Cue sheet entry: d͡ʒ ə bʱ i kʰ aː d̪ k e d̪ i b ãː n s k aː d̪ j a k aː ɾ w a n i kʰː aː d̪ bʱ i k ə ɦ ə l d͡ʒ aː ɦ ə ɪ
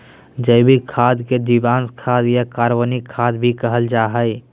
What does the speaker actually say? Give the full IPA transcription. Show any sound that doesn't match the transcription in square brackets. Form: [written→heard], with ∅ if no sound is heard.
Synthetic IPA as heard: d͡ʒ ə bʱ i kʰ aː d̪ k e d̪ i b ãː n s [k→kʰ] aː d̪ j a k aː ɾ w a n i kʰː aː d̪ bʱ i k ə ɦ ə l d͡ʒ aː ɦ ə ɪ

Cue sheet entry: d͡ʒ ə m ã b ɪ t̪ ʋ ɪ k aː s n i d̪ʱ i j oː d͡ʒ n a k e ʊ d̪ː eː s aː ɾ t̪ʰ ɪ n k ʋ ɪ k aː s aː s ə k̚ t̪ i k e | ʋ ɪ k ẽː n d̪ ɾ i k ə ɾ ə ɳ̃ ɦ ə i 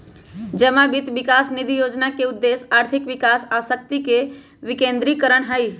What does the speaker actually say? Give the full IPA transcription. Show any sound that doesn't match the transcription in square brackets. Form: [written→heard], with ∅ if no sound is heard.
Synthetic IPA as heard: d͡ʒ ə m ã b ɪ t̪ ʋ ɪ k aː s n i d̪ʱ i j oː d͡ʒ n a k e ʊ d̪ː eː s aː ɾ t̪ʰ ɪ [n→∅] k ʋ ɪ k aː s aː s ə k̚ t̪ i k e | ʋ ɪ k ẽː n d̪ ɾ i k ə ɾ ə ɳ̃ ɦ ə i

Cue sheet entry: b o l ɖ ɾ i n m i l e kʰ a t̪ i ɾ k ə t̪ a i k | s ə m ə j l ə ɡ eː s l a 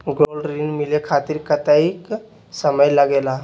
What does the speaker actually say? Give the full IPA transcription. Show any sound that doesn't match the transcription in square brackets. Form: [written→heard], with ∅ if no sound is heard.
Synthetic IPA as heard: [b→ɡ] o l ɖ ɾ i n m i l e kʰ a t̪ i ɾ k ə t̪ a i k | s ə m ə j l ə ɡ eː [s→∅] l a

